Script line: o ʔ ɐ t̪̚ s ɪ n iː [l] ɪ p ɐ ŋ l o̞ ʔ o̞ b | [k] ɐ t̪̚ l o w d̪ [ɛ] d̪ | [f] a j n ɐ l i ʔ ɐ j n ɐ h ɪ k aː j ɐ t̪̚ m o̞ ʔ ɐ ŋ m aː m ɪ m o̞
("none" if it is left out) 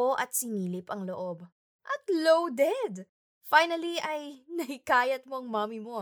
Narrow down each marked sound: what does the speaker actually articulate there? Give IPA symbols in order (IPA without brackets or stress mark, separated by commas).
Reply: l, ʔ, ɛ, f